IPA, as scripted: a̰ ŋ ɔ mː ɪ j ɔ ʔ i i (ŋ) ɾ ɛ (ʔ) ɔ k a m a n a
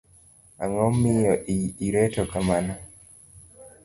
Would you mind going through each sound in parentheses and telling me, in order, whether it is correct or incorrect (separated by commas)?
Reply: incorrect, incorrect